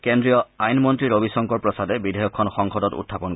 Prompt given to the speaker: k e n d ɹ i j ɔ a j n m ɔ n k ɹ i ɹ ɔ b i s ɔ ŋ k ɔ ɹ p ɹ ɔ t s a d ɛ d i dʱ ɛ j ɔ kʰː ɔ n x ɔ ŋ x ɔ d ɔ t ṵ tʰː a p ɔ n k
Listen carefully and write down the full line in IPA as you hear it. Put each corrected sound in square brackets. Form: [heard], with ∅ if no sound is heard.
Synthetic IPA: k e n d ɹ i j ɔ a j n m ɔ n [t] ɹ i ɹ [o] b i s ɔ ŋ k ɔ ɹ p ɹ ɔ [∅] s a d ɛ [b] i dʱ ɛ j ɔ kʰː ɔ n x ɔ ŋ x ɔ d ɔ t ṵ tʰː a p ɔ n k